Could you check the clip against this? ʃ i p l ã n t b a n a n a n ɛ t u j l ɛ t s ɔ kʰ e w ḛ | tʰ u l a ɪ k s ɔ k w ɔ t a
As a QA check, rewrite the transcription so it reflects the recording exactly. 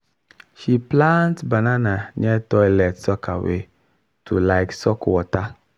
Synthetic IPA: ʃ i p l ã n t b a n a n a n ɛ t ɔ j l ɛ t s ɔ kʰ a w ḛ | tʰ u l a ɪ k s ɔ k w ɔ t a